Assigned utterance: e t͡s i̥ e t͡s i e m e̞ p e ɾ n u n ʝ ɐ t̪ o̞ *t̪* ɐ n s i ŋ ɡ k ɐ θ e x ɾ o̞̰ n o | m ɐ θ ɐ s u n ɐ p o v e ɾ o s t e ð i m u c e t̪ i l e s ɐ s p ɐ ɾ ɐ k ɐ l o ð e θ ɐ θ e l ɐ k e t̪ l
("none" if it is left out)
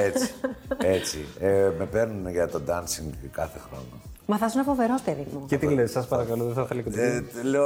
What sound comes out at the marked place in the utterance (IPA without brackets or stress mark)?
d̪